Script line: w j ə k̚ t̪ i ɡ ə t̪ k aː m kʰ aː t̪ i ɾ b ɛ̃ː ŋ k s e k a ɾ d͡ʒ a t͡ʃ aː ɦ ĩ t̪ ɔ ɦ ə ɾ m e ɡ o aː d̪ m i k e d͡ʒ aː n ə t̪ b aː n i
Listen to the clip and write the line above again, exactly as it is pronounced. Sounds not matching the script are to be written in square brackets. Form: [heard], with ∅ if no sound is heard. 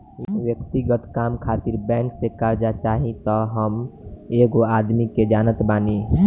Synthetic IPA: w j ə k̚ t̪ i ɡ ə t̪ k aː m kʰ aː t̪ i ɾ b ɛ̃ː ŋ k s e k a ɾ d͡ʒ a t͡ʃ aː ɦ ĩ t̪ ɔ ɦ ə [∅] m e ɡ o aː d̪ m i k e d͡ʒ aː n ə t̪ b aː n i